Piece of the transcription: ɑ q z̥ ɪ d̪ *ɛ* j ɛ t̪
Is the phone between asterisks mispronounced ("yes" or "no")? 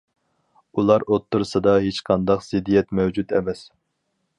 yes